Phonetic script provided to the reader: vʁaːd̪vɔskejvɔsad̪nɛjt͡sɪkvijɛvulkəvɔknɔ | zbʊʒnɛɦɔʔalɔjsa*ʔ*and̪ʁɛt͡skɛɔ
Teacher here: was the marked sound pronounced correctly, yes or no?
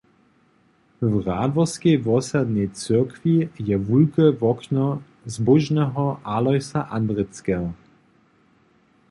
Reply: yes